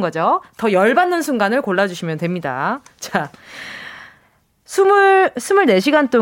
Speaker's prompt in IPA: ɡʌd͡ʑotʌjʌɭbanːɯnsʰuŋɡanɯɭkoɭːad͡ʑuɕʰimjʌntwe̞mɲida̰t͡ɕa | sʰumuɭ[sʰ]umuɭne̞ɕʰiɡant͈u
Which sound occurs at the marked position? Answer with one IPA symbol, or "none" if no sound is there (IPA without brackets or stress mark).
sʰ